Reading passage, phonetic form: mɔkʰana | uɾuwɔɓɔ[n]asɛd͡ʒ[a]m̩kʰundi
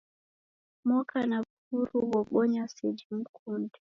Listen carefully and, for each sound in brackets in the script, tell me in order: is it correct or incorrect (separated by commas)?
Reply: incorrect, incorrect